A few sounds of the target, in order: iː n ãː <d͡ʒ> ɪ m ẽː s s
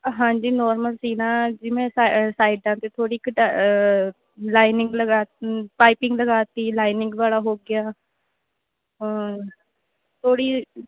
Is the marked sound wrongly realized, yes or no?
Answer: no